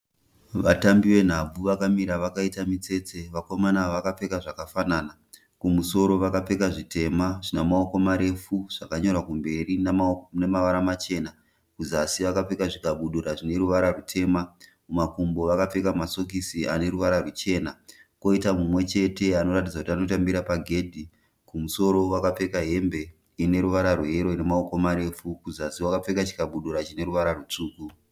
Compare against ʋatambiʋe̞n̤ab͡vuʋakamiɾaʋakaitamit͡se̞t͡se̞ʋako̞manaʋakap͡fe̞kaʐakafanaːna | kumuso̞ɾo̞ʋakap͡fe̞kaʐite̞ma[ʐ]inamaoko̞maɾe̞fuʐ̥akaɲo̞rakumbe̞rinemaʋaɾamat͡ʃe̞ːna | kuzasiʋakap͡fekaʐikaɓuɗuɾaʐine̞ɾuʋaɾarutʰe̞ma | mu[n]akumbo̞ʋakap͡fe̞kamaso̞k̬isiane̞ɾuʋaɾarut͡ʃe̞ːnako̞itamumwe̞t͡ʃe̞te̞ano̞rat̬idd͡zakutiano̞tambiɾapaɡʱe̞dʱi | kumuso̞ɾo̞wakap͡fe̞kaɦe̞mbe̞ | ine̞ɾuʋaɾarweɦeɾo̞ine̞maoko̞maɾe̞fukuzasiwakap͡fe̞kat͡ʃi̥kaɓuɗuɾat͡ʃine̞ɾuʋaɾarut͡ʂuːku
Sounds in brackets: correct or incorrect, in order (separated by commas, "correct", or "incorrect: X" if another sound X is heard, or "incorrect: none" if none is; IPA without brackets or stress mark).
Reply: correct, incorrect: m